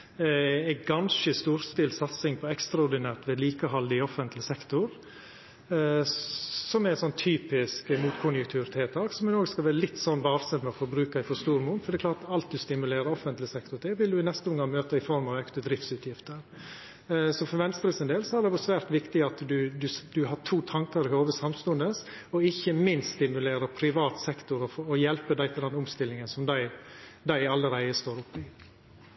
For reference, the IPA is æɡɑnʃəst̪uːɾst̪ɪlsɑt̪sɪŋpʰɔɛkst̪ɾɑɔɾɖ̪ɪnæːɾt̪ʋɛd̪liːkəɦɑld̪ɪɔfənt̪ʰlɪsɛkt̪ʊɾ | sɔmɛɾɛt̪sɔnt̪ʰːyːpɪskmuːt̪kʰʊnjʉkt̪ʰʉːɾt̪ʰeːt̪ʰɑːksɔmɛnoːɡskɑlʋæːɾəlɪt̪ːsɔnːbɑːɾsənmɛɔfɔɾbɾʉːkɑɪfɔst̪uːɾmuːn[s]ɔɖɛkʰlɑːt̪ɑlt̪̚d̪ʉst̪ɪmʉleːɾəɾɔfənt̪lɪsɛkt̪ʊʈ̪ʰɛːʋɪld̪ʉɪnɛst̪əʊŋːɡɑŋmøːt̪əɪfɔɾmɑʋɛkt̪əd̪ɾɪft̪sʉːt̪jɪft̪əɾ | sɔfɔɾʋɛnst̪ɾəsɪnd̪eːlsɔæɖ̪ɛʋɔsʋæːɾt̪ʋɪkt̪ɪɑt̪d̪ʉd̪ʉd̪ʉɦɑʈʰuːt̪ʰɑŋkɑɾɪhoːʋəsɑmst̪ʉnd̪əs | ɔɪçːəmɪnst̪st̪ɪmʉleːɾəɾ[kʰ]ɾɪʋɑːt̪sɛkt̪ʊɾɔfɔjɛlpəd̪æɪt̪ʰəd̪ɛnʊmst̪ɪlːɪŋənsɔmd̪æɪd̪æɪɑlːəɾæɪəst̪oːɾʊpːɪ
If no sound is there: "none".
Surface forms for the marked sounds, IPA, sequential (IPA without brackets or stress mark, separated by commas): f, pʰ